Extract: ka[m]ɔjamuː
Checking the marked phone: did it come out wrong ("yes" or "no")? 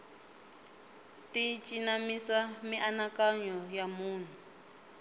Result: yes